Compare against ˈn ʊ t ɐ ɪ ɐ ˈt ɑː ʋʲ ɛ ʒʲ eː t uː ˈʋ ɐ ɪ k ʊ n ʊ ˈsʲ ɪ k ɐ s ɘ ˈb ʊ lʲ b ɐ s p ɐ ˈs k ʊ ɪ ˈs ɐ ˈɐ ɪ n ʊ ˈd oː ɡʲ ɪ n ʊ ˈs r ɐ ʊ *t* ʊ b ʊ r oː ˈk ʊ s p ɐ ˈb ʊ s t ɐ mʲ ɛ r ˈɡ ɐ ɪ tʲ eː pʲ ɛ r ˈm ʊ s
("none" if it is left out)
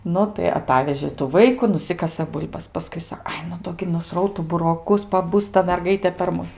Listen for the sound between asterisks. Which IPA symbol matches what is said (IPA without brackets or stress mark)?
t